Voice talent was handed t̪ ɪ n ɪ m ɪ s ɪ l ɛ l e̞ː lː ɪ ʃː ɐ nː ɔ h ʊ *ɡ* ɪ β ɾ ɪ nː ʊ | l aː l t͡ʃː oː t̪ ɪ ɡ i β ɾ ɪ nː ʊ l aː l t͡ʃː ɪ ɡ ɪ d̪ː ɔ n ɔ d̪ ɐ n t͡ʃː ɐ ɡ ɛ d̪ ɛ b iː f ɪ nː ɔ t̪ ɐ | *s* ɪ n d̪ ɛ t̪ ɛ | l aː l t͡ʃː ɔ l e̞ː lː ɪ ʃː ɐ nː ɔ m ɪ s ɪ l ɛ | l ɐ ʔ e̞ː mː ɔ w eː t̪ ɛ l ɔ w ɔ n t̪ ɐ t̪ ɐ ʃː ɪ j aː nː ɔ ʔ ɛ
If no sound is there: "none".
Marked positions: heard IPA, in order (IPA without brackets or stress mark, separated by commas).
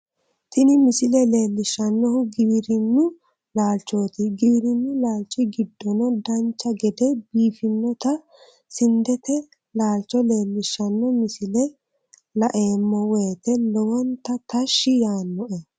ɡ, s